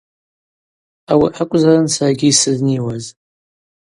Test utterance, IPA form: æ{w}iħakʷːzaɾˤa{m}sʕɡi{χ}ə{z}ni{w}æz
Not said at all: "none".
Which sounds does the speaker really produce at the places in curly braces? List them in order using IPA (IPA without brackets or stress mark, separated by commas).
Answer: w, n, s, ð, w